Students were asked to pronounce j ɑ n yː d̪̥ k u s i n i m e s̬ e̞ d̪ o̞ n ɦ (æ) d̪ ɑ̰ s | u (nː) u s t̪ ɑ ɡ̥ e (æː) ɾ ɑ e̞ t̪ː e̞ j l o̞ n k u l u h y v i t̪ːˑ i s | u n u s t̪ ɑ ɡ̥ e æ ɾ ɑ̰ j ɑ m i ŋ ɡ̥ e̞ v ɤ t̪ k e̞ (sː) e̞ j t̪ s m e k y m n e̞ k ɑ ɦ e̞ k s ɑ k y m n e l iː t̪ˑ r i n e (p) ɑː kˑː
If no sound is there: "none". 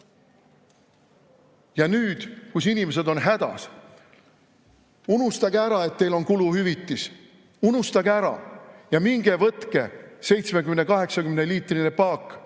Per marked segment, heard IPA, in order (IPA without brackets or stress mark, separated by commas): æ, n, æ, s, p